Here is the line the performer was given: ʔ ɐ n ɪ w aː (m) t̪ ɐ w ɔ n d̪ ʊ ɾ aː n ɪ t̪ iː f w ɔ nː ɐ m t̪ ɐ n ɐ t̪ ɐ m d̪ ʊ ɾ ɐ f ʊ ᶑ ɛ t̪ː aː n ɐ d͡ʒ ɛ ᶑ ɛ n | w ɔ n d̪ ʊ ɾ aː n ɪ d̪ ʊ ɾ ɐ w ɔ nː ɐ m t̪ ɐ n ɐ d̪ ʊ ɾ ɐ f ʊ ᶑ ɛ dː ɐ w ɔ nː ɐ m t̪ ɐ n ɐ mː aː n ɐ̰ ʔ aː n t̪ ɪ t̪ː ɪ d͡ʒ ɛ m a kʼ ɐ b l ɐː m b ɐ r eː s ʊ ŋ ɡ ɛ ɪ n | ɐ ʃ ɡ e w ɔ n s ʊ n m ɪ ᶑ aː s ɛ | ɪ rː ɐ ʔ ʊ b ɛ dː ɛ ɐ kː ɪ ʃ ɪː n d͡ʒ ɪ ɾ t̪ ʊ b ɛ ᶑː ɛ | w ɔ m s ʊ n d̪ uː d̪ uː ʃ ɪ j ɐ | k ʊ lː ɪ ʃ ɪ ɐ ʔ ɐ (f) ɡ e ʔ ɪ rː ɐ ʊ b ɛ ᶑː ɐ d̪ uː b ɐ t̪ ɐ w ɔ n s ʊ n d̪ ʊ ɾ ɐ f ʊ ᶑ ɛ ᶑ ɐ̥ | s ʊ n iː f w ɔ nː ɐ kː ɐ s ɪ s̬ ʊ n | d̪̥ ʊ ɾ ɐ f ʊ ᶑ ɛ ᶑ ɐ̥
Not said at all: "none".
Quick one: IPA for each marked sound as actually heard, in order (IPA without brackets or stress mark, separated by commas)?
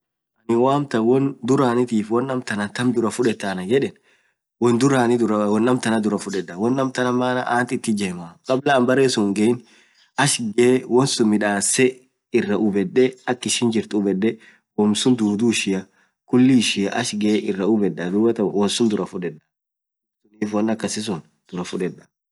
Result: m, ʃ